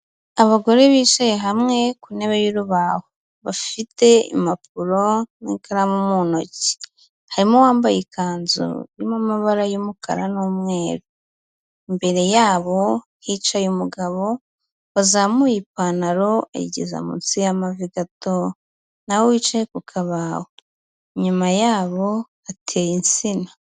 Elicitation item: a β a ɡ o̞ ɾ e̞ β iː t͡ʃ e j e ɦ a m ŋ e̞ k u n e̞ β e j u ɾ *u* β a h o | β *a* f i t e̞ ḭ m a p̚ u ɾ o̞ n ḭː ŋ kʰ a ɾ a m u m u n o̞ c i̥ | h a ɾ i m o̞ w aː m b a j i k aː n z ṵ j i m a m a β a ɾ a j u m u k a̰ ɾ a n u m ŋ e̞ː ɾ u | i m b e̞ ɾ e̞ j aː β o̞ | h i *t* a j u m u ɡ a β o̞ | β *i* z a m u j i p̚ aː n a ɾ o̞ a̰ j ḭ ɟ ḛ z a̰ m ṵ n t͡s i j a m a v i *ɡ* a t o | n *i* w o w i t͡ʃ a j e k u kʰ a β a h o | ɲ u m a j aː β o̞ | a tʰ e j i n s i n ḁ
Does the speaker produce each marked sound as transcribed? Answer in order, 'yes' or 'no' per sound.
yes, yes, no, no, yes, no

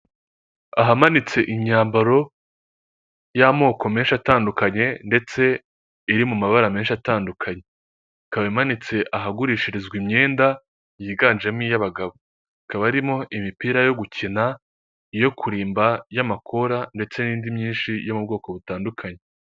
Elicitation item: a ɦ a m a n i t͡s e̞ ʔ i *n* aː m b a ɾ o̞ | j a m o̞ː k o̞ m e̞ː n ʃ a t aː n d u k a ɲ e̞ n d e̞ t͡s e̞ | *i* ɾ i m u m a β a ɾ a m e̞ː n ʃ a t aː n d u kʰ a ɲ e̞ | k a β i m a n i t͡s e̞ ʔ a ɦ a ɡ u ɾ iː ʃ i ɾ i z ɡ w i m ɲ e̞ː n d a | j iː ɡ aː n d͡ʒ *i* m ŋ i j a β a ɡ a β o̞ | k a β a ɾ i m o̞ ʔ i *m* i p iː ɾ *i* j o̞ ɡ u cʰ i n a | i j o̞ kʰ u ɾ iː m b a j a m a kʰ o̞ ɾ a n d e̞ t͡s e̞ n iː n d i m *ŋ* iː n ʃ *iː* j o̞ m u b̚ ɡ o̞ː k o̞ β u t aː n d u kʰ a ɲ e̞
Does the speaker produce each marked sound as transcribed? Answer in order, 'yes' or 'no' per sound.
no, yes, no, yes, no, no, no

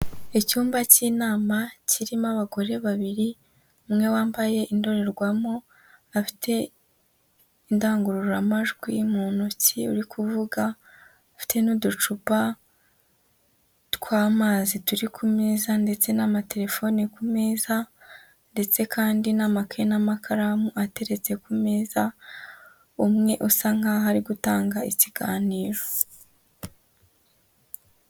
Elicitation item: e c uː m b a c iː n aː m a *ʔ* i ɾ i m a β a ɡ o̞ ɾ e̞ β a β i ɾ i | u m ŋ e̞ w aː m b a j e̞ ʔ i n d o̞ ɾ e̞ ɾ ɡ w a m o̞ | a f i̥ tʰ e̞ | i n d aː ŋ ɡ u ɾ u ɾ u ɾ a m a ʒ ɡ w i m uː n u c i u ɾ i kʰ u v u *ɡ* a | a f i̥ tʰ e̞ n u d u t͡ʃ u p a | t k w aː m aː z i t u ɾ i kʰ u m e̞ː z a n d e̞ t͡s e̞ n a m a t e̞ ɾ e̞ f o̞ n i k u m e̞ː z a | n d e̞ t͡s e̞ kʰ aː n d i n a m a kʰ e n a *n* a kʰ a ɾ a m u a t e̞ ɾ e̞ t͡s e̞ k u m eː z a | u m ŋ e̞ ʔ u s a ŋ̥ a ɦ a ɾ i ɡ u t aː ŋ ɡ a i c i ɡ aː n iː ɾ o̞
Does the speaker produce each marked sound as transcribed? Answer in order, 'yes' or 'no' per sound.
no, yes, no

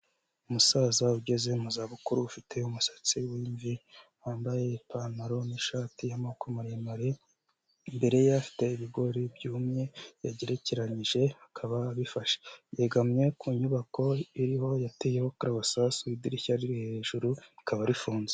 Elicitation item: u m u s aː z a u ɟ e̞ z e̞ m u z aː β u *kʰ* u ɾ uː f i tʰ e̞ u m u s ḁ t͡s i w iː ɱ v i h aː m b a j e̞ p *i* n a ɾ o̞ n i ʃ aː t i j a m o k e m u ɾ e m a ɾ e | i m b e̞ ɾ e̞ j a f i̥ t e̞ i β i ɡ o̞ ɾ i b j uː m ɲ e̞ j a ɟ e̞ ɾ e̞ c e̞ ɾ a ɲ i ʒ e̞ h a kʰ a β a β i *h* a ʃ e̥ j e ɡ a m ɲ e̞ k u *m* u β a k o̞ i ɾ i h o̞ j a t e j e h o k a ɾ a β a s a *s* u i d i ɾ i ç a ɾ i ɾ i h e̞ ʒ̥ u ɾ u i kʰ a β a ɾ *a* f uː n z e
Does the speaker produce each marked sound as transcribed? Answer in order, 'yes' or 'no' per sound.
no, no, no, no, yes, no

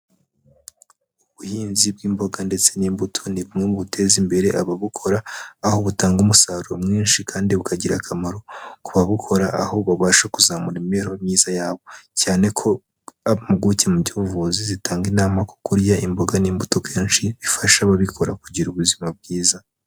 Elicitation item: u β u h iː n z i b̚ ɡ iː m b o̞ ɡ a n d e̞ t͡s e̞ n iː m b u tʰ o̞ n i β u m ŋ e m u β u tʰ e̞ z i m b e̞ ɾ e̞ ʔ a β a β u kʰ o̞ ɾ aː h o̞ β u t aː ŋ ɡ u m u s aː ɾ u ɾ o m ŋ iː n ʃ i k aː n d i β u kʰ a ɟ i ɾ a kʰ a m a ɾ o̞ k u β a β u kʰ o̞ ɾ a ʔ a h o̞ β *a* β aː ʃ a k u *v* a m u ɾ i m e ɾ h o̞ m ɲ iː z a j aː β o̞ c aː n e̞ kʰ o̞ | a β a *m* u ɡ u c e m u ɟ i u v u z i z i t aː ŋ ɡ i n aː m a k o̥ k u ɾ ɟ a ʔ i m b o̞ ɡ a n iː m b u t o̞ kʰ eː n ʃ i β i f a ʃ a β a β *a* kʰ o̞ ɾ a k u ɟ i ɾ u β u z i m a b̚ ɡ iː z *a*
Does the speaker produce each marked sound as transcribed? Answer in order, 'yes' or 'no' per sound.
yes, no, yes, no, yes

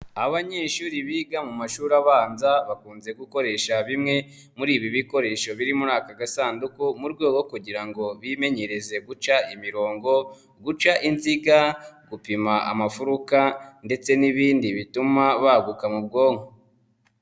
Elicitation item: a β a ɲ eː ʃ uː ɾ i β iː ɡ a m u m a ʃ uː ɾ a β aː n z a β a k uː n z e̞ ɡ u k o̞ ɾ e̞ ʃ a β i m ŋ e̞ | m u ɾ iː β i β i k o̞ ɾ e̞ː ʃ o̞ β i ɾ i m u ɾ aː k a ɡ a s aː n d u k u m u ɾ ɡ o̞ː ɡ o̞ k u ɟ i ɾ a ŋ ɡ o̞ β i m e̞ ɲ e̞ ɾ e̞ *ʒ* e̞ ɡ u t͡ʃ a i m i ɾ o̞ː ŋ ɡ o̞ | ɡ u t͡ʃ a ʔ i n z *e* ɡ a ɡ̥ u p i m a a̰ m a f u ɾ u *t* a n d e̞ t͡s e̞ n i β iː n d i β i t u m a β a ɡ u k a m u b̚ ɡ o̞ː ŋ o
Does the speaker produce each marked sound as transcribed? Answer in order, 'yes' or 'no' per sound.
no, no, no

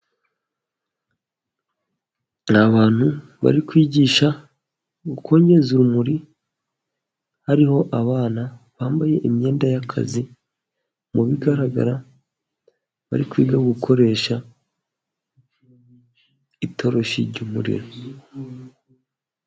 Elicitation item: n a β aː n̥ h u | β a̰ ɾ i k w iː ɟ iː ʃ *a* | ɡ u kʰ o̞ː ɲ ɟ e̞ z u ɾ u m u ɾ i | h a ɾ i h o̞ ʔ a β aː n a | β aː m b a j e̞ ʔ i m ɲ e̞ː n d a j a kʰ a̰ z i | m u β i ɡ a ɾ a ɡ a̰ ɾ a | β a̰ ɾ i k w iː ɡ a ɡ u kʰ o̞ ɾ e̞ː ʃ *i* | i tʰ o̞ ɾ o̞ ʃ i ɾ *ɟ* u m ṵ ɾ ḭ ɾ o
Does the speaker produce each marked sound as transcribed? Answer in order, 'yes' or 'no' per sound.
yes, no, yes

